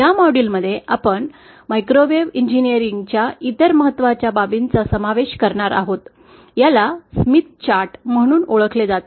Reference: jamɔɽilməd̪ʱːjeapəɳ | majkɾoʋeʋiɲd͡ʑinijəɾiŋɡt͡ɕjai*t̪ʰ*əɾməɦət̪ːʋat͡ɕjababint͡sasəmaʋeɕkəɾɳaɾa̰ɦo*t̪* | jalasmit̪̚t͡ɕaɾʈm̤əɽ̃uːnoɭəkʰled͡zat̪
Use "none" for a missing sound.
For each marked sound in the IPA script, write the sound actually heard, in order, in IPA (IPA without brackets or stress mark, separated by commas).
t̪, t̪